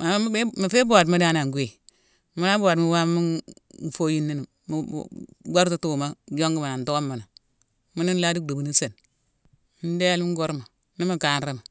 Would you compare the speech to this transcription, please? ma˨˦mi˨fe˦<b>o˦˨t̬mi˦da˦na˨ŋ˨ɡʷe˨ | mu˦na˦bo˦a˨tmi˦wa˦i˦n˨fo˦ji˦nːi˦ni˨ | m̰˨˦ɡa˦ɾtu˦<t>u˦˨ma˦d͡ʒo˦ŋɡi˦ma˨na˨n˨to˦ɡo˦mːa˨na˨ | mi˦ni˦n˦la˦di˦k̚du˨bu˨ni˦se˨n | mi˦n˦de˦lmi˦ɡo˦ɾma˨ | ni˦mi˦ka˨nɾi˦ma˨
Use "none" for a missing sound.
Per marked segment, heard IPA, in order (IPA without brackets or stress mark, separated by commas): b, t